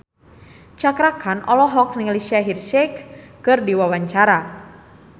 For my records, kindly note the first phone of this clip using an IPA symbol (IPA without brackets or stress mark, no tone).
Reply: t͡ʃ